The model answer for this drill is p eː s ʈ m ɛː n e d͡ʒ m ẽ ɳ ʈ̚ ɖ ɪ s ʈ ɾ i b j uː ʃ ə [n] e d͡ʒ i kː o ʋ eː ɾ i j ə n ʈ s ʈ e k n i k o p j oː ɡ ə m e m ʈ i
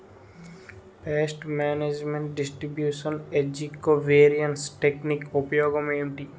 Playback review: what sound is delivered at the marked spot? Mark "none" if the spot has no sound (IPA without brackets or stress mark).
n